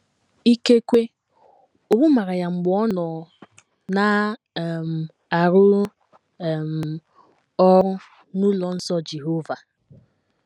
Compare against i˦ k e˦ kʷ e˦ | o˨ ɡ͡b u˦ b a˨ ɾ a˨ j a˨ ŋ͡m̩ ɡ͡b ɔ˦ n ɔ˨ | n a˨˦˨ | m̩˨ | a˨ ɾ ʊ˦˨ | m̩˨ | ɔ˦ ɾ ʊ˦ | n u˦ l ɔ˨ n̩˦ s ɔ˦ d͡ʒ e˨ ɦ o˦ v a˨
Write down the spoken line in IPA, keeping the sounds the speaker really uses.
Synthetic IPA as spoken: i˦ k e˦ kʷ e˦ | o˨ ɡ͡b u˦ m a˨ ɾ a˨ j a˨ ŋ͡m̩ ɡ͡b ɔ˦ n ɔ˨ | n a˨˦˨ | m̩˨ | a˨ ɾ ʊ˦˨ | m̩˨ | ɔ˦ ɾ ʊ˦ | n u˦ l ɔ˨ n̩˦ s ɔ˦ d͡ʒ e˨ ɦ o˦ v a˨